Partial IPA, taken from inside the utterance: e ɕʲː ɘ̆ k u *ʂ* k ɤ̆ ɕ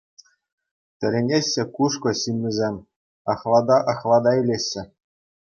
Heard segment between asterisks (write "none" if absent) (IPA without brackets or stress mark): ʂ